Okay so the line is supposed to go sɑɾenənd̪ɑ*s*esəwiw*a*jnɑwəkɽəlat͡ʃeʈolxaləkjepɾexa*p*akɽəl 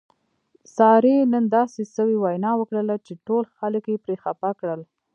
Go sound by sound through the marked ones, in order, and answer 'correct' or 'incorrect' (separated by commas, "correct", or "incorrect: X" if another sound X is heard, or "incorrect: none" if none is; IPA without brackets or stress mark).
correct, correct, correct